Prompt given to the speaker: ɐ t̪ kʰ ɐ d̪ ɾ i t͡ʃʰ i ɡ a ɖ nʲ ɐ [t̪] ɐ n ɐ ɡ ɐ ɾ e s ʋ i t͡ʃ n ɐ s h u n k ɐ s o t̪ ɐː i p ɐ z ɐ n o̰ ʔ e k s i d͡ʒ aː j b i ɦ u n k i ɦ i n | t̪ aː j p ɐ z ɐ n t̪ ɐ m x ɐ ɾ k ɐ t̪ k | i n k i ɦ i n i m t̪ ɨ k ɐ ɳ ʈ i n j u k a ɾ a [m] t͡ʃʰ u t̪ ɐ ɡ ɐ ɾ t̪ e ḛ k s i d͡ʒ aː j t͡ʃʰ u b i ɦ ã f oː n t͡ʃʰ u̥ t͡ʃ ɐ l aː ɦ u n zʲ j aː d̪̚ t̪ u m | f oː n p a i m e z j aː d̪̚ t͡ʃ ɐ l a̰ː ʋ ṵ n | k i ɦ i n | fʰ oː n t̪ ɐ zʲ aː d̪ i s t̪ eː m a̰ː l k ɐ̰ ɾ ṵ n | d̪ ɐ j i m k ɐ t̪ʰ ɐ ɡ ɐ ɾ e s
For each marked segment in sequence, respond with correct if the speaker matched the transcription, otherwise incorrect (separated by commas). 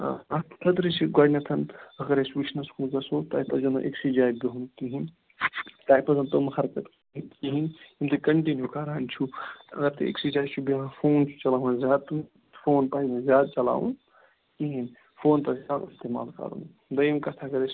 incorrect, incorrect